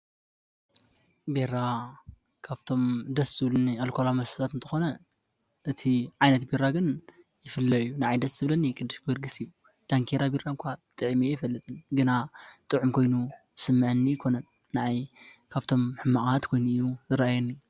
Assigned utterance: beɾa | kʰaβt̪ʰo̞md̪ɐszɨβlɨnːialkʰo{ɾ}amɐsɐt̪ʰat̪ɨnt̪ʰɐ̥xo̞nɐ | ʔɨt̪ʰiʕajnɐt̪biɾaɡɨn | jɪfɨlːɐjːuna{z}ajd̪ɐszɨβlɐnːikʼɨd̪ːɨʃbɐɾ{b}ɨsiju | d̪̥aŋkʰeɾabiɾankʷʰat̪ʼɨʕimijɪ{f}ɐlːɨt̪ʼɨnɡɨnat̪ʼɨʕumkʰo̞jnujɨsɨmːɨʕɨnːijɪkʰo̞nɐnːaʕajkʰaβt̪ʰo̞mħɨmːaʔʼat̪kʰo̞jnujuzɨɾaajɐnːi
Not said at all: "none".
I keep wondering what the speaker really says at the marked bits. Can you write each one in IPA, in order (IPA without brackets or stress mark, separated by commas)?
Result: l, ʕ, ɡ, f